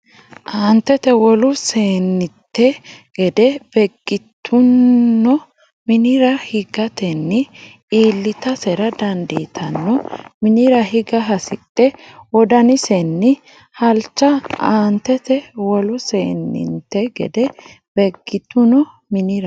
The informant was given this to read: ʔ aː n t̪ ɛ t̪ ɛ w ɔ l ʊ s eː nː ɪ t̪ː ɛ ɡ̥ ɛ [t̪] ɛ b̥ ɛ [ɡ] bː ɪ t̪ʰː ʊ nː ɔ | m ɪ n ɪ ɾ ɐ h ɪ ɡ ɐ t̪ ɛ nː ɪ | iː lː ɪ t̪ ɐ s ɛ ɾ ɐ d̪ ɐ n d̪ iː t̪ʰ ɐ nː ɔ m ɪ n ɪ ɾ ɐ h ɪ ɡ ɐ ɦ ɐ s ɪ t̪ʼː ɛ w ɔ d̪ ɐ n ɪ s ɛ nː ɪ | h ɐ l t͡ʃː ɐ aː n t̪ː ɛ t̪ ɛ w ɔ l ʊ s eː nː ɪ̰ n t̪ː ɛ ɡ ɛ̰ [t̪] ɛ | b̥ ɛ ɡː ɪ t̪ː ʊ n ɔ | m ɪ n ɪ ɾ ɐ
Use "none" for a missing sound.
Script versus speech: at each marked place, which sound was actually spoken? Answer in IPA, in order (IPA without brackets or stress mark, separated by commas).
d̪, ɡ, d̪